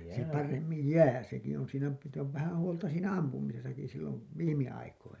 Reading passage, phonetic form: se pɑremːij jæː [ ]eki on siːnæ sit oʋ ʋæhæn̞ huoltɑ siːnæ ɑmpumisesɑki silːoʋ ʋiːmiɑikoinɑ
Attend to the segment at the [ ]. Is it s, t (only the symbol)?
s